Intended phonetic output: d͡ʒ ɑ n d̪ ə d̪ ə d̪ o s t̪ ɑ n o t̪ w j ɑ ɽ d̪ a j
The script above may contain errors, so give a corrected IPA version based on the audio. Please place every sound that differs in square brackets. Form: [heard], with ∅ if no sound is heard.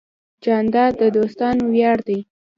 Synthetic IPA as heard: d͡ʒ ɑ n d̪ [ɑ] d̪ ə d̪ o s t̪ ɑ n o [∅] w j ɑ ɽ d̪ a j